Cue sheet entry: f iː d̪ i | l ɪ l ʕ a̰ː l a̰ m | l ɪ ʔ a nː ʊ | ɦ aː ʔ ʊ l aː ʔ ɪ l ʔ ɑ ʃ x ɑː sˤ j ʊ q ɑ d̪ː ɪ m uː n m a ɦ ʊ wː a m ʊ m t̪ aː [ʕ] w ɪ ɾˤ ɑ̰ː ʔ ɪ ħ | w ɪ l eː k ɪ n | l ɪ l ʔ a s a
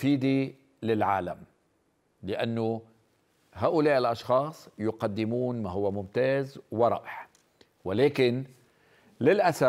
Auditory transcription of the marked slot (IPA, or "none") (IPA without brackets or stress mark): z